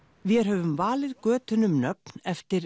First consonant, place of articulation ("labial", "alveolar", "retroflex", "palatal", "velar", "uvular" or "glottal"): labial